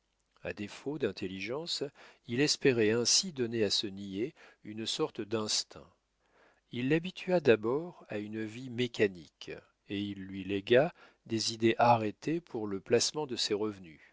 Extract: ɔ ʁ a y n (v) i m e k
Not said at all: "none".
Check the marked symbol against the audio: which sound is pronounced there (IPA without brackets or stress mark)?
v